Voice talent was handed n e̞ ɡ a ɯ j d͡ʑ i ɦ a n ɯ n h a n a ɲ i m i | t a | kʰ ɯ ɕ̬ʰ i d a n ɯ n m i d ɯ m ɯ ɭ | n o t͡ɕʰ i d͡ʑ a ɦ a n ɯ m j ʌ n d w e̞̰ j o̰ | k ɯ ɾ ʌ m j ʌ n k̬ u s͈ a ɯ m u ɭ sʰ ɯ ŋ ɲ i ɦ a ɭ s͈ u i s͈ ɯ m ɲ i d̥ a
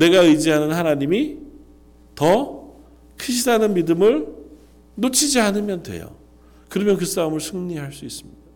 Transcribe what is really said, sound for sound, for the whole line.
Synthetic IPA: n e̞ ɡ a ɯ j d͡ʑ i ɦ a n ɯ n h a n a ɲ i m i | t ʌ | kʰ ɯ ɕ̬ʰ i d a n ɯ n m i d ɯ m ɯ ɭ | n o t͡ɕʰ i d͡ʑ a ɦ a n ɯ m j ʌ n d w e̞̰ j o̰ | k ɯ ɾ ʌ m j ʌ n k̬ ɯ s͈ a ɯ m ɯ ɭ sʰ ɯ ŋ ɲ i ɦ a ɭ s͈ u i s͈ ɯ m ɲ i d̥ a